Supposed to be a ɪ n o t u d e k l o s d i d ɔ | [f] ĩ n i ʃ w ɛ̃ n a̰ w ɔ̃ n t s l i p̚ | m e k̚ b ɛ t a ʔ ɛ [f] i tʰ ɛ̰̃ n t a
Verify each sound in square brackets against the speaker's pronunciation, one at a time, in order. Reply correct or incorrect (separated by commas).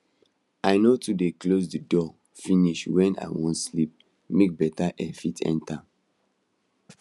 correct, correct